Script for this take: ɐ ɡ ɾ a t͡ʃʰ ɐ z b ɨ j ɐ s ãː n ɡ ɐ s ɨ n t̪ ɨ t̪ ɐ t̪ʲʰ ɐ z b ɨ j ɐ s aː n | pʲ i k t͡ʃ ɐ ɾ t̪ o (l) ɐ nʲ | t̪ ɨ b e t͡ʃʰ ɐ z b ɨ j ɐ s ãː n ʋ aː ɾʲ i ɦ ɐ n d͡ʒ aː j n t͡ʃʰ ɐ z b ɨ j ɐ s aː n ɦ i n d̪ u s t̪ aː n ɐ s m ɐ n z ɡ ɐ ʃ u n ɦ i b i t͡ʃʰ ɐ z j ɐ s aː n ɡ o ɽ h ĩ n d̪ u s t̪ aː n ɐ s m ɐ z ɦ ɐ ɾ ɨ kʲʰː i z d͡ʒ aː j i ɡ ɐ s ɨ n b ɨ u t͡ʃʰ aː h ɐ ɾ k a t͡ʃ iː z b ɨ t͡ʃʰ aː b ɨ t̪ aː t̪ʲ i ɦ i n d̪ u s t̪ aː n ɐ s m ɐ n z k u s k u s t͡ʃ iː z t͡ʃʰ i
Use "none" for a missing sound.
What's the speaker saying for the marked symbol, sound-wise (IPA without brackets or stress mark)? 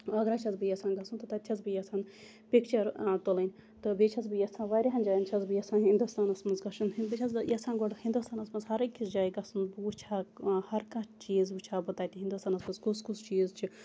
l